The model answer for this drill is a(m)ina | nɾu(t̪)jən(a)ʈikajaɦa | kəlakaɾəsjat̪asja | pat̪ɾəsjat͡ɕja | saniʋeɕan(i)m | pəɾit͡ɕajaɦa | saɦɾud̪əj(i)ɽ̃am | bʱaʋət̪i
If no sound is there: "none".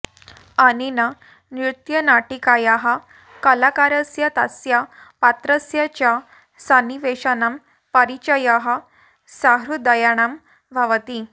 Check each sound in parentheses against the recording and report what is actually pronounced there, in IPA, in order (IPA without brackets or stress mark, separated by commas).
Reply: n, t̪, a, a, a